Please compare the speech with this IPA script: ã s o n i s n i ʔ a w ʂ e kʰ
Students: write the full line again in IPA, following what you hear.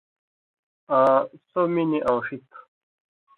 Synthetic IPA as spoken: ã s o m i n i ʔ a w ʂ i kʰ